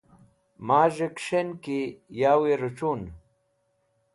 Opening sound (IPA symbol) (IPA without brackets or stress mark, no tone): m